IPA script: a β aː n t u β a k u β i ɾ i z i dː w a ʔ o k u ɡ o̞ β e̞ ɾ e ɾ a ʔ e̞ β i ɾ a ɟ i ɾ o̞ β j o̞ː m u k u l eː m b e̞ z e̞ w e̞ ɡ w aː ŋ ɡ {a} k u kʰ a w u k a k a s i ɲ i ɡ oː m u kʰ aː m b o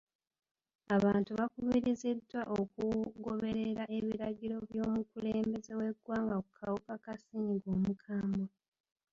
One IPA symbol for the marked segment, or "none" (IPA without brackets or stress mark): a